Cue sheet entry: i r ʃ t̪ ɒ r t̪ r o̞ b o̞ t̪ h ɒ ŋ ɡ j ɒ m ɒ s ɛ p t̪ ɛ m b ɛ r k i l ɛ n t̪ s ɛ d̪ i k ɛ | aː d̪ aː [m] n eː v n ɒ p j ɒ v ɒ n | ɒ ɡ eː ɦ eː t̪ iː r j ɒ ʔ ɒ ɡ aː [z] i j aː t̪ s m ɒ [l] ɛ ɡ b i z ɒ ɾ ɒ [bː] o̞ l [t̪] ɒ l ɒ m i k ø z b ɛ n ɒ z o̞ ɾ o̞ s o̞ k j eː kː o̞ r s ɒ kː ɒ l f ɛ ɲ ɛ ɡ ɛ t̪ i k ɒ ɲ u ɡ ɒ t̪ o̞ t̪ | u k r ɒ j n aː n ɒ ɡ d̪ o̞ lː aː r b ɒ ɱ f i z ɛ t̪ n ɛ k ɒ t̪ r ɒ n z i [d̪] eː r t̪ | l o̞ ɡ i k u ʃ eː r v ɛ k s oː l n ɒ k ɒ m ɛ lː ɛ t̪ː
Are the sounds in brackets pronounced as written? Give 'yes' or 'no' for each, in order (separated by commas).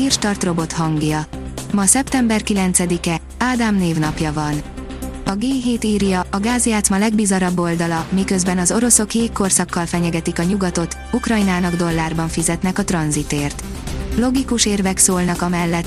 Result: yes, yes, yes, yes, no, no